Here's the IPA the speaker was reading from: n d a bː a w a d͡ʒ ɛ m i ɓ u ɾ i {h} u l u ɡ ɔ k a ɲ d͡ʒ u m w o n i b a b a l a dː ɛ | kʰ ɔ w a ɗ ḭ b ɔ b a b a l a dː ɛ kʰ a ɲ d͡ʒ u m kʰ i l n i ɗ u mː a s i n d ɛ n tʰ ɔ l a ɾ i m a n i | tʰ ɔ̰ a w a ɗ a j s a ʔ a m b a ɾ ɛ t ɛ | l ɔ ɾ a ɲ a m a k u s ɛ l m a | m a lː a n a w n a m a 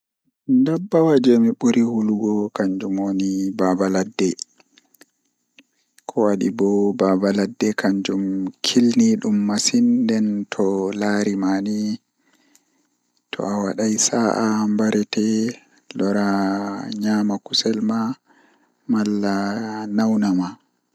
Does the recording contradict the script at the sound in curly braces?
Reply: no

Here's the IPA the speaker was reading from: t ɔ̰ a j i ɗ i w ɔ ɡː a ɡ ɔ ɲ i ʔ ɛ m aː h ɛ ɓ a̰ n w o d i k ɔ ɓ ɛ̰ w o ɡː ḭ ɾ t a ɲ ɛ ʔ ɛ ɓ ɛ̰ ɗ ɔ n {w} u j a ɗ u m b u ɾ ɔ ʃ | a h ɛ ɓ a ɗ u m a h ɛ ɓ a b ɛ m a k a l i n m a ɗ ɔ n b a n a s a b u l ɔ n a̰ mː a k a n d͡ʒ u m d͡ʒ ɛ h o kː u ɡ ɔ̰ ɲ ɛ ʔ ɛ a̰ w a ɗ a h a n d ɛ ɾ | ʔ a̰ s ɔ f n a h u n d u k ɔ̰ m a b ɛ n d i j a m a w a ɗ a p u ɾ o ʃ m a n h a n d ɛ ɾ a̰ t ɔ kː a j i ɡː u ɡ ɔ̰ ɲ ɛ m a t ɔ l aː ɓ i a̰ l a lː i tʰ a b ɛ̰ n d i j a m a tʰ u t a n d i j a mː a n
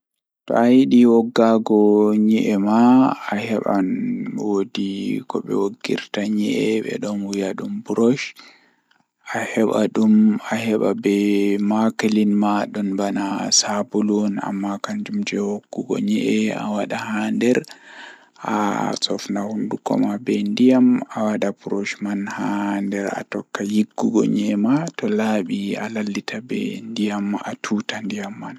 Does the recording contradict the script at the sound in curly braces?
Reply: no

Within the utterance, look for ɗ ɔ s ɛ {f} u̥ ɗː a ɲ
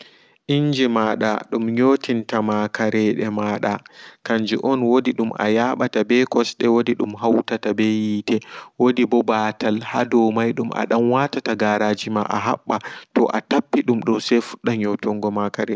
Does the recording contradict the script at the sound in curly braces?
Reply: no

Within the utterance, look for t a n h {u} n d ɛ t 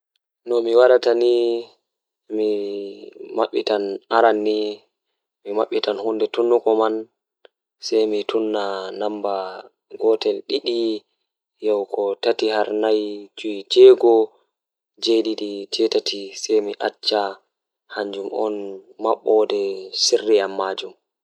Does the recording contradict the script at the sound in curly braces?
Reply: no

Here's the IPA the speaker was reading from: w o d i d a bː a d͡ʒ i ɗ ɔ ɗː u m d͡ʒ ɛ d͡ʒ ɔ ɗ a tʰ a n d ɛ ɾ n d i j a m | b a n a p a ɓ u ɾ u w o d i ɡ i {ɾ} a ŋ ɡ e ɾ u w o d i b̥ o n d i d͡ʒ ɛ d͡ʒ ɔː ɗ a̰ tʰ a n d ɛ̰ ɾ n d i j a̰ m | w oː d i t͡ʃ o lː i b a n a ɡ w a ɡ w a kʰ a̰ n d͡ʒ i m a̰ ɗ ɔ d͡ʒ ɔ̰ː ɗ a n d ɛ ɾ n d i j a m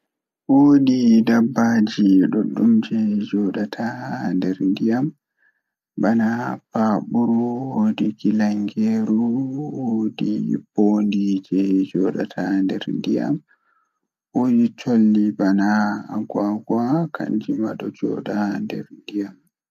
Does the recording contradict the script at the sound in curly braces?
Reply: yes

